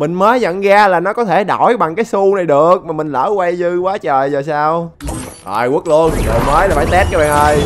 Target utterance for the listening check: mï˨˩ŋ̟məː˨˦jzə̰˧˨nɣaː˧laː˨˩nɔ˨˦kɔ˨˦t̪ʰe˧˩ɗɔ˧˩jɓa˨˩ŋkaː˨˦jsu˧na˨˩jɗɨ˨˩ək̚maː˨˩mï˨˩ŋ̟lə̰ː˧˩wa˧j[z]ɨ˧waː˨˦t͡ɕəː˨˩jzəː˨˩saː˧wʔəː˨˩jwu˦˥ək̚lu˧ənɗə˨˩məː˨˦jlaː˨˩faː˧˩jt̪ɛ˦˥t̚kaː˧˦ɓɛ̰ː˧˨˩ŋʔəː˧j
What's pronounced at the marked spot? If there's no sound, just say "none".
z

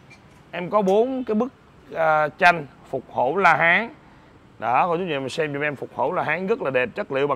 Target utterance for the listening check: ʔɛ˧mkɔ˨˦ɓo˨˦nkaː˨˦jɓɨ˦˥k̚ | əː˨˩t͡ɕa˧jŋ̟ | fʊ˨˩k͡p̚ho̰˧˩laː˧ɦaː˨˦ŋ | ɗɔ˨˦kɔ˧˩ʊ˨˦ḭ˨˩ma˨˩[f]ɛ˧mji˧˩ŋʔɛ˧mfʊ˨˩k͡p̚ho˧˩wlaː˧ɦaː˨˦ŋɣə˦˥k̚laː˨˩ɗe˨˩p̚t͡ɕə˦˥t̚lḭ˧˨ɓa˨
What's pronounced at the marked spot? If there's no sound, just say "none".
s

